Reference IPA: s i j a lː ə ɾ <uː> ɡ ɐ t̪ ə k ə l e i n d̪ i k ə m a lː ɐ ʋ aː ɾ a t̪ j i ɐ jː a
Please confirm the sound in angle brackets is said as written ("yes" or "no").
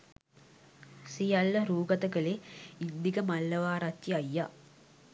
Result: yes